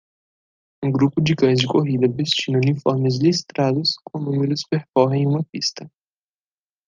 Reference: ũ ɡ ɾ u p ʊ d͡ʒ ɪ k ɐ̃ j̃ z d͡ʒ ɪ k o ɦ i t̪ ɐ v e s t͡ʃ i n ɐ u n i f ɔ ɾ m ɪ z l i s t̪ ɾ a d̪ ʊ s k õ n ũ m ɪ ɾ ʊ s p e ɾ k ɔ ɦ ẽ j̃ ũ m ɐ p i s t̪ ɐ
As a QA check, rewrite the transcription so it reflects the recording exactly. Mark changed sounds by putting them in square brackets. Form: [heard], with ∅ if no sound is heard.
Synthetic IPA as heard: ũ ɡ ɾ u p ʊ d͡ʒ ɪ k ɐ̃ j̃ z d͡ʒ ɪ k o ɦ i [d̪] ɐ v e s t͡ʃ i n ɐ u n i f ɔ ɾ m ɪ z l i s t̪ ɾ a d̪ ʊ s k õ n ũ m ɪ ɾ ʊ s p e ɾ k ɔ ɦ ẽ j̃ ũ m ɐ p i s t̪ ɐ